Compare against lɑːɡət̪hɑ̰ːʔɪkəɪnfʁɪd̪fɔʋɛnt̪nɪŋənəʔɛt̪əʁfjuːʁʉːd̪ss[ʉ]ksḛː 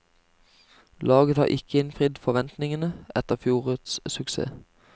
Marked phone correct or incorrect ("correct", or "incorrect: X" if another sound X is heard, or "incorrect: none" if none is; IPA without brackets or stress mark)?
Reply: correct